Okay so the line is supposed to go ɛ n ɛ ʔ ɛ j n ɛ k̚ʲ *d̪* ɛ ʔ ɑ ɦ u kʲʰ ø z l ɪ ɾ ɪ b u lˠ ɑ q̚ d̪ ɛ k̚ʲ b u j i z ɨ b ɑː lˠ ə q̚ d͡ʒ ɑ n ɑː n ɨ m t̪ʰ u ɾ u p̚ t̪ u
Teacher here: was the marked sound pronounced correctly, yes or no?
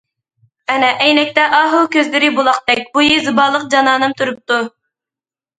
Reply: no